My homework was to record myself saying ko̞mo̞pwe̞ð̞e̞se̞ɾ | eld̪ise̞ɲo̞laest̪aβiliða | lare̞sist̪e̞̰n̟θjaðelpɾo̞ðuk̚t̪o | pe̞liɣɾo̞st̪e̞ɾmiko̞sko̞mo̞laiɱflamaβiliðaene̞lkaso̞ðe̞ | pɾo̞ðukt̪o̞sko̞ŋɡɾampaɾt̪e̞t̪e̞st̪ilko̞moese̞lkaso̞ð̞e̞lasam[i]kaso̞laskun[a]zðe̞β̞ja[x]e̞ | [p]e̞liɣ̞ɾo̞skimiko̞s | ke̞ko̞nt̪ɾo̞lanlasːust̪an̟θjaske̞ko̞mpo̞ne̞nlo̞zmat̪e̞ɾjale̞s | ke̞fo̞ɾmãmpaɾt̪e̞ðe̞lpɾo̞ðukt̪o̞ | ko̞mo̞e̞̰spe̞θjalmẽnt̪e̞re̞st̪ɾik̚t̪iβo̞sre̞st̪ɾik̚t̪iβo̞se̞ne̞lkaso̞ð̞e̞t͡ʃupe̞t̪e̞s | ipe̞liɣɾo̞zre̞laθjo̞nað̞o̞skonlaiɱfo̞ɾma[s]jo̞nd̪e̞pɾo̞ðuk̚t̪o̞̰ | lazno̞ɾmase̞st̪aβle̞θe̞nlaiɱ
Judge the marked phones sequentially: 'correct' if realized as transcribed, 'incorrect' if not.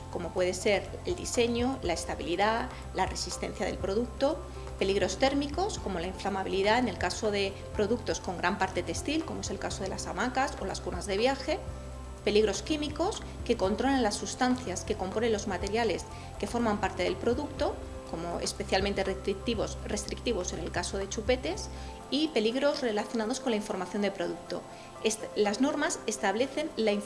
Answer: incorrect: a, correct, correct, correct, incorrect: θ

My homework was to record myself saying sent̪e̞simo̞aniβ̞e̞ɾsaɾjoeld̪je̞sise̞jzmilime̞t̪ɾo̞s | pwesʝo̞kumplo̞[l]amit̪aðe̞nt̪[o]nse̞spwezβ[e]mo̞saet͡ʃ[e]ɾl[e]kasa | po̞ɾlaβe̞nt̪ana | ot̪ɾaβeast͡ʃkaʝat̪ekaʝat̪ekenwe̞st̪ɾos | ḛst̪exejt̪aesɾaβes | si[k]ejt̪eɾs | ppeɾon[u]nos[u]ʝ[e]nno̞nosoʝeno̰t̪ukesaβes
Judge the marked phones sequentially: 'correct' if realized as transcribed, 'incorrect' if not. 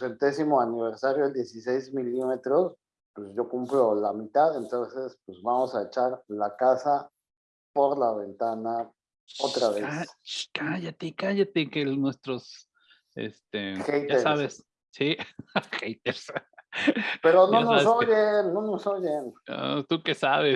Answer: correct, correct, incorrect: a, incorrect: a, incorrect: a, incorrect: x, incorrect: o, incorrect: o, correct

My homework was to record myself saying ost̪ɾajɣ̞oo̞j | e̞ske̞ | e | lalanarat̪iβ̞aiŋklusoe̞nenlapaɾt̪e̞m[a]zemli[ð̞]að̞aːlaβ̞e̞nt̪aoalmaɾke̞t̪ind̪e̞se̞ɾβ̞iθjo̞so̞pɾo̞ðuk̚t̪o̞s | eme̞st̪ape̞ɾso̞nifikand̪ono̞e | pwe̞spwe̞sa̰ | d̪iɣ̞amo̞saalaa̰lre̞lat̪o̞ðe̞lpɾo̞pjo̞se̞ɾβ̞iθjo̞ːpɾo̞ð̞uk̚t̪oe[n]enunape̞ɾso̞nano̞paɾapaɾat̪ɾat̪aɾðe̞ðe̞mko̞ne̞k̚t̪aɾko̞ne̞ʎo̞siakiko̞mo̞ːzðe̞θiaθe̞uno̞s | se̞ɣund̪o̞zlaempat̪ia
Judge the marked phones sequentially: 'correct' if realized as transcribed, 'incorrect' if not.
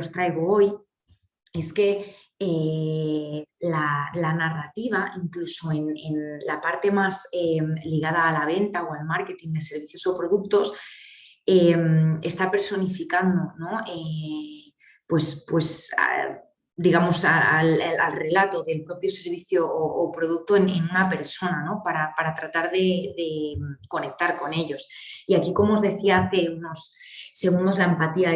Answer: correct, incorrect: ɣ̞, correct

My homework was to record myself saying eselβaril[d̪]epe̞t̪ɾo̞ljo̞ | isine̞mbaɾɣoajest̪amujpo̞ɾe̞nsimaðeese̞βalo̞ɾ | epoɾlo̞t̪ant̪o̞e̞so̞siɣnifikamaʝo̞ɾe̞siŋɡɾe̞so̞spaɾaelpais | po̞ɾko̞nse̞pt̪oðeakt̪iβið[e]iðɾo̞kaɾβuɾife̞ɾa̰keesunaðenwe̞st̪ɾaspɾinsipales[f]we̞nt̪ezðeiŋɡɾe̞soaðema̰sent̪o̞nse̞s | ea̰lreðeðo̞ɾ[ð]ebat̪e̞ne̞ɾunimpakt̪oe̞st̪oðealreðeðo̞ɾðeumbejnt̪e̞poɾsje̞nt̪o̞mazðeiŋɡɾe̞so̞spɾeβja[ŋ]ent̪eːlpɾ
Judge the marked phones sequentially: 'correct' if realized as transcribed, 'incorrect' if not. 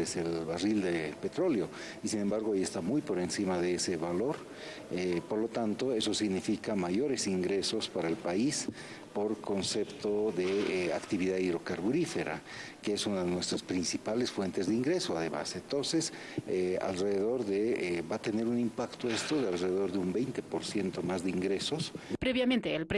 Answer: correct, incorrect: a, correct, correct, incorrect: m

